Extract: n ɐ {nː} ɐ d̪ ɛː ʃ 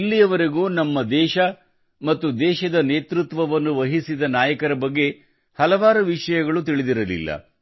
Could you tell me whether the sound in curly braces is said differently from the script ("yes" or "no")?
yes